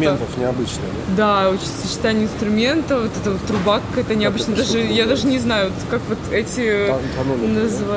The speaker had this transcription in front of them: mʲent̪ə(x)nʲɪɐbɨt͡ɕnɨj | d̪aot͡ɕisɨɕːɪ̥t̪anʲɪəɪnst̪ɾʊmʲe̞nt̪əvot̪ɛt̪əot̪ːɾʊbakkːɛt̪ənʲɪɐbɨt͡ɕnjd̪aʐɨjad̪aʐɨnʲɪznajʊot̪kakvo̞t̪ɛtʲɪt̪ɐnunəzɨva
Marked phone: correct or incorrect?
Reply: incorrect